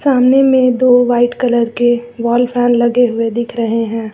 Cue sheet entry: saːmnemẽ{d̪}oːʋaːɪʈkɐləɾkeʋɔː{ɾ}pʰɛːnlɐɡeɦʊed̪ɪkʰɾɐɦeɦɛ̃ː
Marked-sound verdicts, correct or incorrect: correct, incorrect: l

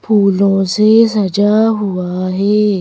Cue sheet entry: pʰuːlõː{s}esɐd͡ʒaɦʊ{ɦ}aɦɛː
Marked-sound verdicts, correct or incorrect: correct, incorrect: none

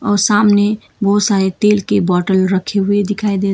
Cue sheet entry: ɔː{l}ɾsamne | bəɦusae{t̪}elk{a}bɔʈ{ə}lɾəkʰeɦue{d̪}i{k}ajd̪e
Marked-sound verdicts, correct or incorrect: incorrect: none, correct, incorrect: e, correct, correct, incorrect: kʰ

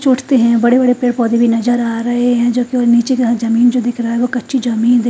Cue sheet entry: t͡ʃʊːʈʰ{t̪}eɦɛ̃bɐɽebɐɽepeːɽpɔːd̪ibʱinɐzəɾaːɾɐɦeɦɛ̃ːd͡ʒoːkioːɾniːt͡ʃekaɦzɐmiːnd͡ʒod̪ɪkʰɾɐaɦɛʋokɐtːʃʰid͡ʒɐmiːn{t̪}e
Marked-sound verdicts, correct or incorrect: correct, incorrect: d̪

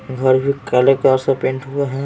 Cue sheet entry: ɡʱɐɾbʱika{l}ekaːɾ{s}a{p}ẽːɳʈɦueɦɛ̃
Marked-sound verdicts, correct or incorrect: correct, correct, correct

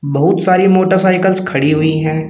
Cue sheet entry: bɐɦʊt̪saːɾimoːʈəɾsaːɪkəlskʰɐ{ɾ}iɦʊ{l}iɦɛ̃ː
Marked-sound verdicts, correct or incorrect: incorrect: ɽ, incorrect: none

